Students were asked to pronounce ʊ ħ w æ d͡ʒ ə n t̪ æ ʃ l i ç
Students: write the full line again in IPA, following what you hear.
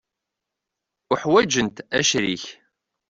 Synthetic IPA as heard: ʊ ħ w æ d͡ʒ ə n t̪ æ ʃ ɾ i ç